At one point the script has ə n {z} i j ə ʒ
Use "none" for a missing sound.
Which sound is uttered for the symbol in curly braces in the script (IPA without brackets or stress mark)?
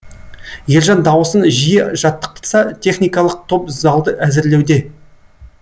ʒ